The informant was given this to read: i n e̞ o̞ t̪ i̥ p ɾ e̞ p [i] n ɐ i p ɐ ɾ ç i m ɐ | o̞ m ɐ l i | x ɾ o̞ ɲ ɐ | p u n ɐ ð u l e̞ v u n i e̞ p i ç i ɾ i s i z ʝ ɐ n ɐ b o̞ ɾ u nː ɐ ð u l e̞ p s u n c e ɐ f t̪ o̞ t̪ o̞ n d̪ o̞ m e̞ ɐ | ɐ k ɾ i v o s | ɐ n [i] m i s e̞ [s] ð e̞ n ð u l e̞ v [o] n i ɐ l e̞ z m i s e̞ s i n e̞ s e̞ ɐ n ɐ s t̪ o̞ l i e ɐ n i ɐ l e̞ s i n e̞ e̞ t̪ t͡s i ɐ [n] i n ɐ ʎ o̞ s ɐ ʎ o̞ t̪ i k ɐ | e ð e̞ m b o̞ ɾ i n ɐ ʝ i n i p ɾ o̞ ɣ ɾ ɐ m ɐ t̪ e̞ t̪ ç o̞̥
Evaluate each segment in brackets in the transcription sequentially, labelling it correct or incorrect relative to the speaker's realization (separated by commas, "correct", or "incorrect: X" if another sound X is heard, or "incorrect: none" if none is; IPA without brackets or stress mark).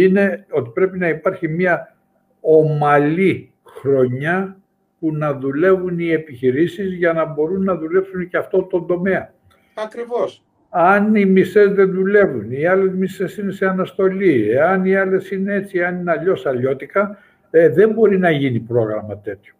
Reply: correct, correct, incorrect: z, incorrect: u, correct